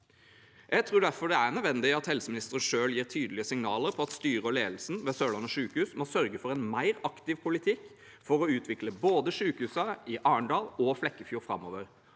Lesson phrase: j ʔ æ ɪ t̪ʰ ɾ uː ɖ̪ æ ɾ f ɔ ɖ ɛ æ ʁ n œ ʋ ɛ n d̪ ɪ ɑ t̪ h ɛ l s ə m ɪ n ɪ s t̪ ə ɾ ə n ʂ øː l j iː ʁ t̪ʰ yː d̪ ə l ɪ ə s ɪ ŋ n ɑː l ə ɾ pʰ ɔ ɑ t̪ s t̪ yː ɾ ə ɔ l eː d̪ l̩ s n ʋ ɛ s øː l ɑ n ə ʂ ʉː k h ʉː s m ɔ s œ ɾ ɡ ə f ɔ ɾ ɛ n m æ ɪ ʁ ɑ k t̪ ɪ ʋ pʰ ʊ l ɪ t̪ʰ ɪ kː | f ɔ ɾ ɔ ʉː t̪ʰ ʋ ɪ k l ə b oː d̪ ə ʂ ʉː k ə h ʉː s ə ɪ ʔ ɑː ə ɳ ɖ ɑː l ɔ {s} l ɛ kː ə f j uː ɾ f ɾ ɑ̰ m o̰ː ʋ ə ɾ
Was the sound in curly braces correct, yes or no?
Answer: no